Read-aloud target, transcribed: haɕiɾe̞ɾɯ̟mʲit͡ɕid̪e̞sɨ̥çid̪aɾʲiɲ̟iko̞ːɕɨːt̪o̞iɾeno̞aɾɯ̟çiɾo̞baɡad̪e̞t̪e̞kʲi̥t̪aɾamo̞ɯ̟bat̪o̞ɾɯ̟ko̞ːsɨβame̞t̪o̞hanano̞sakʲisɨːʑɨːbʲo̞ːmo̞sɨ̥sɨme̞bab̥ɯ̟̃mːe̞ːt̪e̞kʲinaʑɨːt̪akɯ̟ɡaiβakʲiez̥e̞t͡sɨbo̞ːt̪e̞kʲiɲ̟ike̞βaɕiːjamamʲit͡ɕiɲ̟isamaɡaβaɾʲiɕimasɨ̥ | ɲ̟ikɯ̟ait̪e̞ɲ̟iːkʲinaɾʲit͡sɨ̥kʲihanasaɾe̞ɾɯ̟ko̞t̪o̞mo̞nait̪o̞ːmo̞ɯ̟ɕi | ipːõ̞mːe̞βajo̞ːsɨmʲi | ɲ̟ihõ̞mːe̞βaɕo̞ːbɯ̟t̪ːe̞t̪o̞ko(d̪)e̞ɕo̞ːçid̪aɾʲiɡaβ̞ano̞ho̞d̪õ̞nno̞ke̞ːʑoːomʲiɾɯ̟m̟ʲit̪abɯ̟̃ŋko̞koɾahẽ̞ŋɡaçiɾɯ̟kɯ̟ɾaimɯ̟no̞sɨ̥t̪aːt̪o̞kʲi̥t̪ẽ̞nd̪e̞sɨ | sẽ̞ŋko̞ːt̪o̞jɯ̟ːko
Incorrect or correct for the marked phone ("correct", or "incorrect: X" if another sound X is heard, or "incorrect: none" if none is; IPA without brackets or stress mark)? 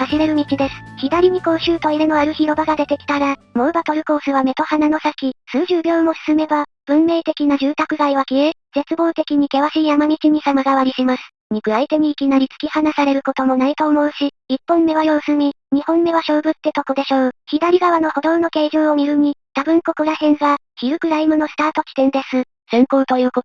correct